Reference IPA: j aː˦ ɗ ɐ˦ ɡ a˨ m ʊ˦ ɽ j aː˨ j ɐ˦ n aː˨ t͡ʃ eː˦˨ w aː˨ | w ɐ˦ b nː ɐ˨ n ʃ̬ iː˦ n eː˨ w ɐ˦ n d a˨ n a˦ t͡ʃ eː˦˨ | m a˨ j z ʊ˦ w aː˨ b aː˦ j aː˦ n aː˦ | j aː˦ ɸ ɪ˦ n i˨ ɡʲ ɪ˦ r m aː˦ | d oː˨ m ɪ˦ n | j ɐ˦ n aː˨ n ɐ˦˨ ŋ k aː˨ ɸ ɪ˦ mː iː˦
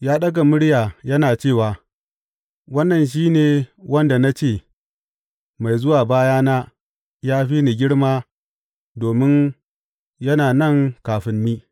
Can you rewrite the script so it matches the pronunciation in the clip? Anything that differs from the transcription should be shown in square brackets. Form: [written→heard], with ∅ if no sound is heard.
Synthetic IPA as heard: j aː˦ ɗ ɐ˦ ɡ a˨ m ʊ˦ ɽ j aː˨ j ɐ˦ n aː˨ t͡ʃ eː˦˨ w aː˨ | w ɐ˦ [b→∅] nː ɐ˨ n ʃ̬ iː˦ n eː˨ w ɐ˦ n d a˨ n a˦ t͡ʃ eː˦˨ | m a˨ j z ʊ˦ w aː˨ b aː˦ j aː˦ n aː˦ | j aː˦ ɸ [ɪ˦→i˦] n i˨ ɡʲ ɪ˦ [r→ɽ] m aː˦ | d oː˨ m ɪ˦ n | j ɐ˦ n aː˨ n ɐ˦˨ ŋ k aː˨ ɸ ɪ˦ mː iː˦